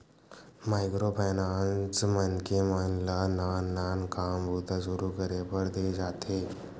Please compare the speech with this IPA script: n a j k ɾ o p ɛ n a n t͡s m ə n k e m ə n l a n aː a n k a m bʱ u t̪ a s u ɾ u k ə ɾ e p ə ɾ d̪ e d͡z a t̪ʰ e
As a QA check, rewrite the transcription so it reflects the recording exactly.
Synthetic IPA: m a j k ɾ o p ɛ n a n t͡s m ə n k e m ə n l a n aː a n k a m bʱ u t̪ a s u ɾ u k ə ɾ e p ə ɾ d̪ e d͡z a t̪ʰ e